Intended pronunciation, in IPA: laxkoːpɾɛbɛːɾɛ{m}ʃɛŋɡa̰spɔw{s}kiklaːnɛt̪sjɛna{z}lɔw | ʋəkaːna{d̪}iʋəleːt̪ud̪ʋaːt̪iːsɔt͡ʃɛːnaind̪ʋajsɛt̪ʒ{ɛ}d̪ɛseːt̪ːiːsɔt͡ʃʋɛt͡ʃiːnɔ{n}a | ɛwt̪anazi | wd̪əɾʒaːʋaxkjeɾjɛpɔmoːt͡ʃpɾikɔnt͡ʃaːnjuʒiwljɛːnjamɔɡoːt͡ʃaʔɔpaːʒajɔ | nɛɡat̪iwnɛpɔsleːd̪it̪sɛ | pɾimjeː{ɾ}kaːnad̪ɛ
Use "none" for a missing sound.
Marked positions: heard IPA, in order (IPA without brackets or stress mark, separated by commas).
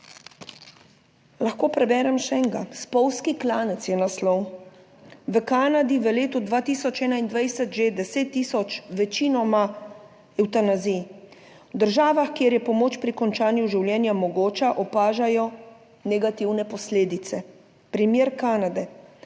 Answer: m, s, s, d̪, e, m, ɾ